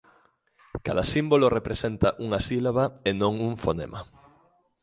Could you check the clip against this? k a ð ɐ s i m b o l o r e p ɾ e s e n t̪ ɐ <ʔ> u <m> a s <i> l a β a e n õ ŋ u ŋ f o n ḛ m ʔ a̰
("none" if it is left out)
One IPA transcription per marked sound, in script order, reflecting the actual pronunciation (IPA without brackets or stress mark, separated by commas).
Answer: ʔ, ŋ, i